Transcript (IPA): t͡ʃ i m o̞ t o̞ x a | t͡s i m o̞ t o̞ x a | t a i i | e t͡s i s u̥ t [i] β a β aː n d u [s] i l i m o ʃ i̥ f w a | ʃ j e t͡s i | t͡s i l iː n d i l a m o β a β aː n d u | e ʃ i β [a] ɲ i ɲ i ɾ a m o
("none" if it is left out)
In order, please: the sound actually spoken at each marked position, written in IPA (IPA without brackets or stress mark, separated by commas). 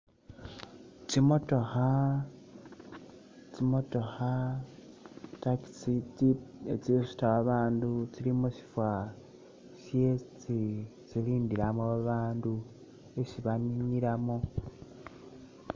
a, t͡s, a